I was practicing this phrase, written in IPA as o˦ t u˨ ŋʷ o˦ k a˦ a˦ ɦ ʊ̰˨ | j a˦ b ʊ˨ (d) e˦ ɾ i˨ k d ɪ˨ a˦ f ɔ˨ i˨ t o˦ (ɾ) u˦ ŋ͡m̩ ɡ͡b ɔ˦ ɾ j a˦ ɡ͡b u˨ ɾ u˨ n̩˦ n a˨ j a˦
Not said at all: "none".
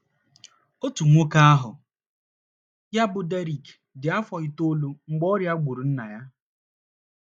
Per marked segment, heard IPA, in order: d, l

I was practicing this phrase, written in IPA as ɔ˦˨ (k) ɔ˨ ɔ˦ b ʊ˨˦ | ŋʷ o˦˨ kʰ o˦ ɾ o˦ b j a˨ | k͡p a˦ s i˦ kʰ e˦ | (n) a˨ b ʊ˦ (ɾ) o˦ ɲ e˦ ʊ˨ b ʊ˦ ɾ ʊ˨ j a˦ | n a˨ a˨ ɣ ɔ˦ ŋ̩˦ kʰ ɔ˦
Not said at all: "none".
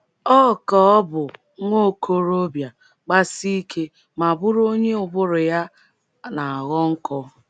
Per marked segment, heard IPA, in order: k, m, ɾ

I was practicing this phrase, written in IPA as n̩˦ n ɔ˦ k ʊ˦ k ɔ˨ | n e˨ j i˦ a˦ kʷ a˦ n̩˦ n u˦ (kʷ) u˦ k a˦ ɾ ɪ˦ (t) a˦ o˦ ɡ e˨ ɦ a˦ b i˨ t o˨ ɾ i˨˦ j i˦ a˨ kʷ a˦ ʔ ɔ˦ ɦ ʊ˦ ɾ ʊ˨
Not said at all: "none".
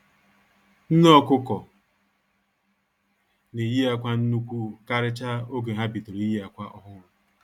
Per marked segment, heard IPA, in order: kʷ, t͡ʃ

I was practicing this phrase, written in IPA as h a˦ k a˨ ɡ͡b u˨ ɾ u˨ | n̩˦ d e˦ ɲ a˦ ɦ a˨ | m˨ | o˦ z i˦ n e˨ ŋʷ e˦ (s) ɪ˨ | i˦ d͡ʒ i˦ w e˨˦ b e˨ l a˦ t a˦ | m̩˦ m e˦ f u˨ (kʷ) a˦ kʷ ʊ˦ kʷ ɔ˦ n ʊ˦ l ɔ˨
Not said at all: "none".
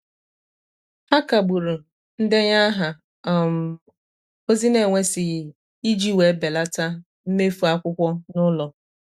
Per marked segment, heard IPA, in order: s, none

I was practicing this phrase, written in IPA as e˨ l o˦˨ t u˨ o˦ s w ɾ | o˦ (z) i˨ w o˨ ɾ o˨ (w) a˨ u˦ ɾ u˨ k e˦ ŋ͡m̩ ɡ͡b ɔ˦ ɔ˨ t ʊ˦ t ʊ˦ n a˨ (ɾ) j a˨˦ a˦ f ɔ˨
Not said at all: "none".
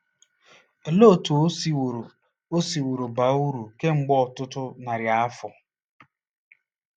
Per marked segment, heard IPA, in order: s, b, ɾ

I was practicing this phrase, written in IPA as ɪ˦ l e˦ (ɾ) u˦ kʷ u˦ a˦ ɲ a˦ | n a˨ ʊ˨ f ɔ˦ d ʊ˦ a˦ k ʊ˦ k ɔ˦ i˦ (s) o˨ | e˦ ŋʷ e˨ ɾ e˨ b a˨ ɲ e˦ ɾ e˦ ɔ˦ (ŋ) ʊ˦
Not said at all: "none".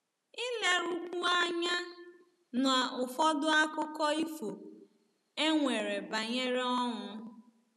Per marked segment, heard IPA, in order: ɾ, f, ŋ

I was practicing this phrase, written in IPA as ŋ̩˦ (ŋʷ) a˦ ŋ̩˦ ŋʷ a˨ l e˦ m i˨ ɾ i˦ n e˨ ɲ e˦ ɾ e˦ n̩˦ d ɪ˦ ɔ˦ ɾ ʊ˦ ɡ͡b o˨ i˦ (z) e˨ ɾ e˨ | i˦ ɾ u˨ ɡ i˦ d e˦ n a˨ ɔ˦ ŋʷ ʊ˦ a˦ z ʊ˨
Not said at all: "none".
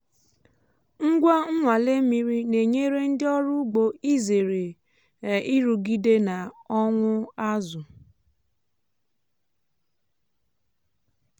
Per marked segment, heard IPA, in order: ɡʷ, z

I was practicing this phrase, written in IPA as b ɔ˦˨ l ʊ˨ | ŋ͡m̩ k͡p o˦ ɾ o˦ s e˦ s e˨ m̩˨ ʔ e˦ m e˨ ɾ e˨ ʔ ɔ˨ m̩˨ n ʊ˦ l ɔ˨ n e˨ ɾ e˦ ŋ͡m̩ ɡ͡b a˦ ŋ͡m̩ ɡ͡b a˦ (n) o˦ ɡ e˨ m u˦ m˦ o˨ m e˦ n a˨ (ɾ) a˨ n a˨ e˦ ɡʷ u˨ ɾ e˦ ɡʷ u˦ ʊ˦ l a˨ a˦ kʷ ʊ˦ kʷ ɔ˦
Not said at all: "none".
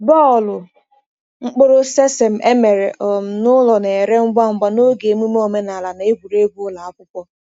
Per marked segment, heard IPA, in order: n, l

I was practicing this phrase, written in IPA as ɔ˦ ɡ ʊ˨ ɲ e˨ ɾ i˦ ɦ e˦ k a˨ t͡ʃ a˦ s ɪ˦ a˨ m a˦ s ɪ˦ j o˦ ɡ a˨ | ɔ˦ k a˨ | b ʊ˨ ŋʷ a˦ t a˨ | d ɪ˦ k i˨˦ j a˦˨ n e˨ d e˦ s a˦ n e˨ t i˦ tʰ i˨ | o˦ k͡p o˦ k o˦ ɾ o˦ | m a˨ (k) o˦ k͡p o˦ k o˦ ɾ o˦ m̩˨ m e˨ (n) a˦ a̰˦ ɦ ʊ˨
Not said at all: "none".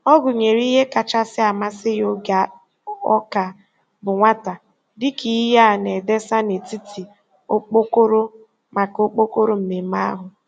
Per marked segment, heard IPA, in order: k, m

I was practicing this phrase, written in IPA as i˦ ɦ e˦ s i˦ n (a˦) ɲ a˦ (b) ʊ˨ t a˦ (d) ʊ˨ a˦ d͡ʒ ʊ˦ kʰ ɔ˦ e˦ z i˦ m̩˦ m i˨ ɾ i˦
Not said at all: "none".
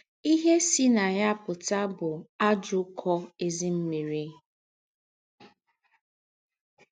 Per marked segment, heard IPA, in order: a˨, p, b

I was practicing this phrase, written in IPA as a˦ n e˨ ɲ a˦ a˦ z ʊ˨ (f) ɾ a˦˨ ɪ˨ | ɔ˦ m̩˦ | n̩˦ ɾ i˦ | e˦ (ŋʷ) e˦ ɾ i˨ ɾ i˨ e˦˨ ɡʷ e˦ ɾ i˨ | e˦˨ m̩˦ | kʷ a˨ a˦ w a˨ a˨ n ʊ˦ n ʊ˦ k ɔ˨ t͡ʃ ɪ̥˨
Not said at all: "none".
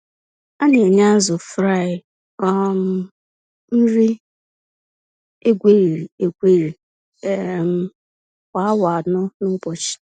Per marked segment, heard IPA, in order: f, ɡʷ

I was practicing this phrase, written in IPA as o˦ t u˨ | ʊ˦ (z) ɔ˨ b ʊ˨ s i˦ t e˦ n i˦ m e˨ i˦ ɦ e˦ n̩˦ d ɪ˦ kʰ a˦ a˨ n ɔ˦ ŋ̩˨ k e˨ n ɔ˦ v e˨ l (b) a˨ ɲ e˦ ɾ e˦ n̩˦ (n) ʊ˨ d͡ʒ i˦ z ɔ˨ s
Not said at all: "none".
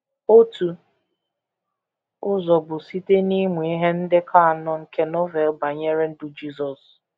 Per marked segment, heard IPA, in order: z, b, d

